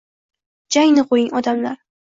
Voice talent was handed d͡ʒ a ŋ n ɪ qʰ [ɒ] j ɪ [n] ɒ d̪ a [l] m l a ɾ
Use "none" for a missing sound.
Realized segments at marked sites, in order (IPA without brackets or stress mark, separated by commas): o, ŋ, none